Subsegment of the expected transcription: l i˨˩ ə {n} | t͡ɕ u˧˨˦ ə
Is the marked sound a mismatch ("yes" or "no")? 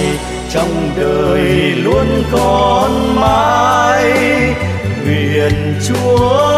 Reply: no